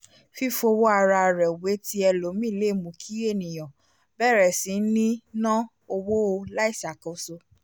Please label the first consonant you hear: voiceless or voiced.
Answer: voiceless